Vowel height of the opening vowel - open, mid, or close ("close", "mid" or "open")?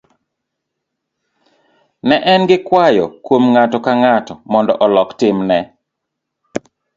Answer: mid